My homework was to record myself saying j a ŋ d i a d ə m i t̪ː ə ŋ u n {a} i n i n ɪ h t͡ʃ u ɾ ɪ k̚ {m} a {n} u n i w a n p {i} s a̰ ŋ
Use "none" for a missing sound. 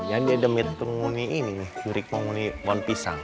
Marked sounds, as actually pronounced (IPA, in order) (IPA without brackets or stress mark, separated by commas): i, m, ŋ, i